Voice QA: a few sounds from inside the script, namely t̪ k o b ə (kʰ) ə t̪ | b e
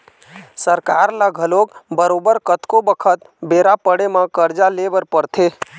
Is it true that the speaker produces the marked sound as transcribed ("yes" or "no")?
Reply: yes